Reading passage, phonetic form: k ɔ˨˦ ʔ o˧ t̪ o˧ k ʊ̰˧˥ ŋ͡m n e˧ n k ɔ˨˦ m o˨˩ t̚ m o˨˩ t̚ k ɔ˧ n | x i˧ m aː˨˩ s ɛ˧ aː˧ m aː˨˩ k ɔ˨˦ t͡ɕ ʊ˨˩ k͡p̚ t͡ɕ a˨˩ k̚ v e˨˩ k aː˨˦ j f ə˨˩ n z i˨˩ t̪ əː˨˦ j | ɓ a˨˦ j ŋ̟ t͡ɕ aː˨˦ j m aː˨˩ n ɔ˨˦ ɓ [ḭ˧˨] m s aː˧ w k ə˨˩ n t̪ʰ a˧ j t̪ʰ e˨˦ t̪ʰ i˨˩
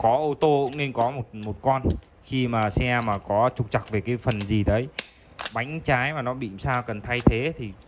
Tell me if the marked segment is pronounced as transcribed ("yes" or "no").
yes